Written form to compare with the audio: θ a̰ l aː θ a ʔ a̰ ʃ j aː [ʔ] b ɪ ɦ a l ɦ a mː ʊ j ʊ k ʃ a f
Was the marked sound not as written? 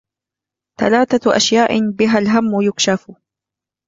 no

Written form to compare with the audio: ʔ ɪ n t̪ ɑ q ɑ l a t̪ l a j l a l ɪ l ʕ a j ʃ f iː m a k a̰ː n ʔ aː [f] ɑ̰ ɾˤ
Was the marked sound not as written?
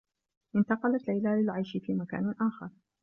yes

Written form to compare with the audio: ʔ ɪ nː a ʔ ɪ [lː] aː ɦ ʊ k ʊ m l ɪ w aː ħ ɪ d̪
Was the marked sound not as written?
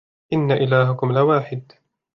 yes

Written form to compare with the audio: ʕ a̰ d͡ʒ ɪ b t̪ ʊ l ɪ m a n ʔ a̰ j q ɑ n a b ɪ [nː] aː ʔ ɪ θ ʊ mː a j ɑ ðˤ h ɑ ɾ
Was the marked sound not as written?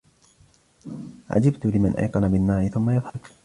no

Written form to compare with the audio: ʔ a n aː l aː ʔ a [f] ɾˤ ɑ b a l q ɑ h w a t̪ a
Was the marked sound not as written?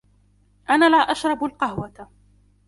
yes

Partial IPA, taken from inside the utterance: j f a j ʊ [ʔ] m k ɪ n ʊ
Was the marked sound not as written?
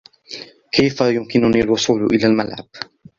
yes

